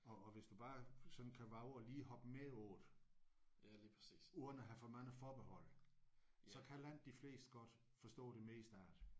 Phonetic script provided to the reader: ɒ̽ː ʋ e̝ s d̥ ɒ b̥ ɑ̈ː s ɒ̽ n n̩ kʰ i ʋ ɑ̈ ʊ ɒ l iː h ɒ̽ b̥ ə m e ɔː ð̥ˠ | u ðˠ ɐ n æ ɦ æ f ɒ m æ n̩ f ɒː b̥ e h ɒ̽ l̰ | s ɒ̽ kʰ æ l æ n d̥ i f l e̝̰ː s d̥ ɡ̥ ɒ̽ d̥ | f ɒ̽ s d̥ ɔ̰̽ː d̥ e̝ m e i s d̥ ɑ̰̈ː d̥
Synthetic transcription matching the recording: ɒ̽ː ʋ e̝ s d̥ u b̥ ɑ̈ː s ɒ̽ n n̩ kʰ æ ʋ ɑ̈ ʊ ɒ l iː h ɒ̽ b̥ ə m e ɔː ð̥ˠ | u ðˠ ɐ n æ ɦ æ f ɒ m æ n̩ f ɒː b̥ e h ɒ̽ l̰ | s ɒ̽ kʰ æ l æ n d̥ i f l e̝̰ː s d̥ ɡ̥ ɒ̽ d̥ | f ɒ̽ s d̥ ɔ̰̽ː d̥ e̝ m e i s d̥ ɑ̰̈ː d̥